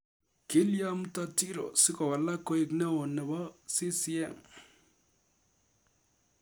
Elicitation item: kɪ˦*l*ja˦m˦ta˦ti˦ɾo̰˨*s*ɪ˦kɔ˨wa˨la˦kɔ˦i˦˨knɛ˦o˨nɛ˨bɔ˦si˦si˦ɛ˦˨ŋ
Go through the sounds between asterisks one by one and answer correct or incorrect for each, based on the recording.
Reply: correct, correct

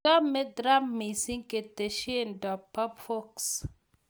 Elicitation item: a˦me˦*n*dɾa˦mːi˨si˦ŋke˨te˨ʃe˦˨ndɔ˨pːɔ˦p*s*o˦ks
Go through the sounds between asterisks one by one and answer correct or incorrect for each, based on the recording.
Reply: incorrect: none, incorrect: f

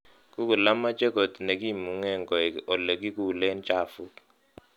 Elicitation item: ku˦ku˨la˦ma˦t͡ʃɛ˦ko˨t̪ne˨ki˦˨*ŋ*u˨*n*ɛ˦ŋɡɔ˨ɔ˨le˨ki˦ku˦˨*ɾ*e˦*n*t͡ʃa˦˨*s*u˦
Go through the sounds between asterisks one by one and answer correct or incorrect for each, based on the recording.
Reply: incorrect: m, incorrect: ŋ, incorrect: l, correct, incorrect: f

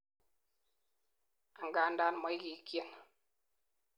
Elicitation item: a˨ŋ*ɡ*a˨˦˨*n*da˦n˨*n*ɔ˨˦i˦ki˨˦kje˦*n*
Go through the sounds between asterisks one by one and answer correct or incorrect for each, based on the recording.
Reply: correct, correct, incorrect: m, correct

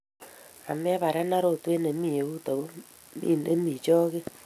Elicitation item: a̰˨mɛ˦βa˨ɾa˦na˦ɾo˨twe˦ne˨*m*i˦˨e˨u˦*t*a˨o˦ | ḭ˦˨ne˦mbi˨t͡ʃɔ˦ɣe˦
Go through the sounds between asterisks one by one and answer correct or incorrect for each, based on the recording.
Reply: correct, correct

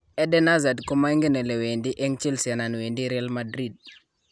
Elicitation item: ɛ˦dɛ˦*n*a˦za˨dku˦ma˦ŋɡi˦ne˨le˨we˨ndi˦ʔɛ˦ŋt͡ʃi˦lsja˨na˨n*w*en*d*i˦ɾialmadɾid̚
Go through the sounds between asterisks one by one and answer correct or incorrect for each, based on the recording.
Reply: correct, correct, correct

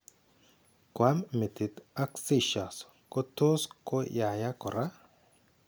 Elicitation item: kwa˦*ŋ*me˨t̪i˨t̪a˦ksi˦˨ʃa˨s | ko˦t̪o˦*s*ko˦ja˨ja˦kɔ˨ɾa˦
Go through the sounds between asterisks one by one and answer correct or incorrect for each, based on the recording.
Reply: incorrect: m, correct

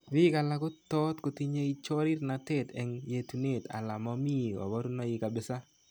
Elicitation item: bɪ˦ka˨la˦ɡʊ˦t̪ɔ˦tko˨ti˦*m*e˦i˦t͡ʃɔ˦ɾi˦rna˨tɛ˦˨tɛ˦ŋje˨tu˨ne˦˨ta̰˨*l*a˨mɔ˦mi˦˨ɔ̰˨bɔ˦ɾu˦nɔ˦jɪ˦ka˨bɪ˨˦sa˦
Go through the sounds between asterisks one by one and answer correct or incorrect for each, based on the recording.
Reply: incorrect: ɲ, correct

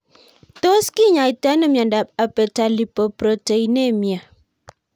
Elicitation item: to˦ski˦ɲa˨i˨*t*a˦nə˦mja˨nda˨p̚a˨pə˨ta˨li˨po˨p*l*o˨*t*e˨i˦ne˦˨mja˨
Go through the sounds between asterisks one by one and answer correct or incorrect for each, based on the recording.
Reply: correct, incorrect: ɾ, correct

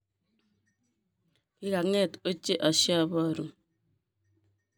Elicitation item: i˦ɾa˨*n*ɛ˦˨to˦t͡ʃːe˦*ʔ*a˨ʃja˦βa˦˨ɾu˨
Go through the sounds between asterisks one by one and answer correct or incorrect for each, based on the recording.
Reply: incorrect: ŋ, correct

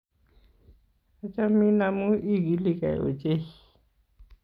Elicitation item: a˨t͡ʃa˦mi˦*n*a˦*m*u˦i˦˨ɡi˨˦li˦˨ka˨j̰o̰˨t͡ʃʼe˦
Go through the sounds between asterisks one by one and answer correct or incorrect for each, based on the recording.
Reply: correct, correct

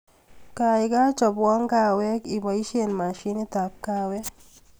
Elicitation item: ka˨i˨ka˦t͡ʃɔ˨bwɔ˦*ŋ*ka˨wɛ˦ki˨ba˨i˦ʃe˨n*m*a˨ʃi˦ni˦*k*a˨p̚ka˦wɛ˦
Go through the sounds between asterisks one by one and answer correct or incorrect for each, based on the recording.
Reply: correct, correct, incorrect: t

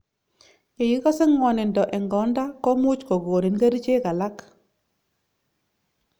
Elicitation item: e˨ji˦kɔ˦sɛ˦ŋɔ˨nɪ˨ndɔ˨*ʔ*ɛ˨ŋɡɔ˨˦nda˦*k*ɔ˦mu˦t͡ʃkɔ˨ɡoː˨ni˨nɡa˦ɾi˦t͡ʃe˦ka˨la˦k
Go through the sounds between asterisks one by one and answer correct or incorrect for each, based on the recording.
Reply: correct, correct

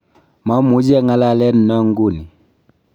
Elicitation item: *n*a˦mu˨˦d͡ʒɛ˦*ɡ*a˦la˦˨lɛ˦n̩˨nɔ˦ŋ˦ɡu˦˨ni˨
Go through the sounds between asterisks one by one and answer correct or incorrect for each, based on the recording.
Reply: incorrect: m, incorrect: ŋ

